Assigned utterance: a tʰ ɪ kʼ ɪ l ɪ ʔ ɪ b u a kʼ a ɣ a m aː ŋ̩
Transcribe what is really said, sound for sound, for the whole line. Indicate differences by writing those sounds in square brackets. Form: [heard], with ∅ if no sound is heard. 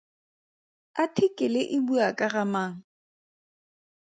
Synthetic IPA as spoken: a tʰ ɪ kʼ ɪ l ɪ ʔ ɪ b u a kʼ a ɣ a m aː ŋ̩